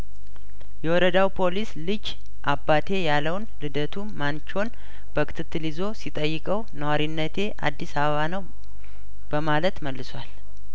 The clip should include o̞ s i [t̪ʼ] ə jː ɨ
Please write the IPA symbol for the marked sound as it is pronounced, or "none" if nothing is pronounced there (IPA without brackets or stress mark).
t̪ʼ